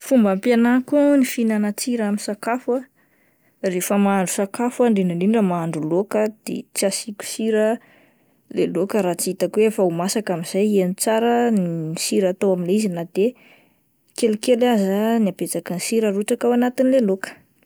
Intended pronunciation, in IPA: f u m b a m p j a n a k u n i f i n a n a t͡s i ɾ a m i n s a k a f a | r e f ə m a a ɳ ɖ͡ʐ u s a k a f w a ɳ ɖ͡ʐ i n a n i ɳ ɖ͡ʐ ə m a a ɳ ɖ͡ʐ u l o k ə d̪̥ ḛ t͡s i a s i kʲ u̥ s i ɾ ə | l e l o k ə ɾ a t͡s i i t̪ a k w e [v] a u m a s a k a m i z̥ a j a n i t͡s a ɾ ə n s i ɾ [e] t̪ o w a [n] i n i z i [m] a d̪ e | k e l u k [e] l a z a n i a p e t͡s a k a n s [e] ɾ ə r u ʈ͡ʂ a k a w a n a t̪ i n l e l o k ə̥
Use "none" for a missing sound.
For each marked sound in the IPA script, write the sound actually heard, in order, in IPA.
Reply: f, a, m, n, e, i

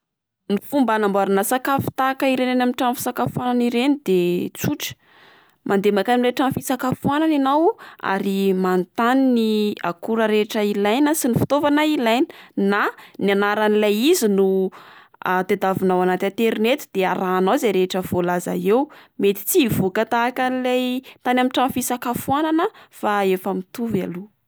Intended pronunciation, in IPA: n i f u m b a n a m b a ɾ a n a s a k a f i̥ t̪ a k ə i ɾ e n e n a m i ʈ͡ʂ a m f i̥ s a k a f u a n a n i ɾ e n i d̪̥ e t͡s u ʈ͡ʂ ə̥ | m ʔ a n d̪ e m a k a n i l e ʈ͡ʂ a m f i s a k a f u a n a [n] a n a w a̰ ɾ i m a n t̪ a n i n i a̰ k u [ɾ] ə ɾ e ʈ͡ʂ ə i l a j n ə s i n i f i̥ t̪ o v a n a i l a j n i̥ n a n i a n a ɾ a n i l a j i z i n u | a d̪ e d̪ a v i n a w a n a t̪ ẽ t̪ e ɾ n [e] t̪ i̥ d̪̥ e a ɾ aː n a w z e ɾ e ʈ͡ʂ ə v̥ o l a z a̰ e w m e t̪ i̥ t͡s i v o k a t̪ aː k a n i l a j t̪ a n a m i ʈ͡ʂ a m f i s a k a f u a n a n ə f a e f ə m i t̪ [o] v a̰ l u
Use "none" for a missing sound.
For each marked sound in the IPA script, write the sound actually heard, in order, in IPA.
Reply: n, ɾ, e, u

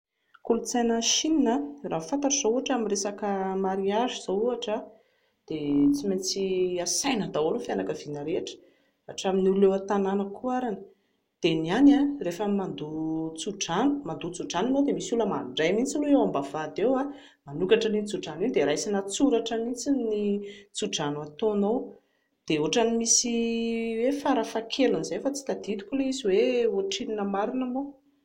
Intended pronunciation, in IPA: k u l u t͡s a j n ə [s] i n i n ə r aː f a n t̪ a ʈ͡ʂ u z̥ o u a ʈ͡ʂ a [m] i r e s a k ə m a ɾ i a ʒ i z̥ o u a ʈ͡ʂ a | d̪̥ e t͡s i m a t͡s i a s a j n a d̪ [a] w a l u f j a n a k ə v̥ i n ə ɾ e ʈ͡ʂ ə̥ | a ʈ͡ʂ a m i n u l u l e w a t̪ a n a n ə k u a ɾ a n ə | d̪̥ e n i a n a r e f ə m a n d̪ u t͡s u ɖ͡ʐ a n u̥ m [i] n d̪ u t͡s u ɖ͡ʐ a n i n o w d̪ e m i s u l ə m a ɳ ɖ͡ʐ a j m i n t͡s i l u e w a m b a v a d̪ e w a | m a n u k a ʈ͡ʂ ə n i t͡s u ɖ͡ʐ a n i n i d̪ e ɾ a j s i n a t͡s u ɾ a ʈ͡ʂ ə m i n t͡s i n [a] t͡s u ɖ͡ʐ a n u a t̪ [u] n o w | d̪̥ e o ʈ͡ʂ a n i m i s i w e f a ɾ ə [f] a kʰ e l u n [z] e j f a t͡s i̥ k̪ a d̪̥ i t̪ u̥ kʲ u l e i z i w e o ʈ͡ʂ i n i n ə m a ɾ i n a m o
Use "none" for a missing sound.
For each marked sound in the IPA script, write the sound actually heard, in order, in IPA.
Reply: ʃ, m, a, a, i, o, f, z

